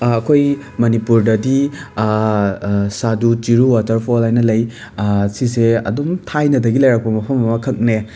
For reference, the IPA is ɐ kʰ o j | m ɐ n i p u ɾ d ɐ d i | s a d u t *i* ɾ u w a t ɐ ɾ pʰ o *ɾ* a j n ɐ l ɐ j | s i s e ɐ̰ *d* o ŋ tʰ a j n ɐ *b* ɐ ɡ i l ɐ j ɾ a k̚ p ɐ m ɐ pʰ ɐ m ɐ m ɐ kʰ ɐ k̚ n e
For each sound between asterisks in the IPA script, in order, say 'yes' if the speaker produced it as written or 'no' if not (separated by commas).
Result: yes, no, yes, no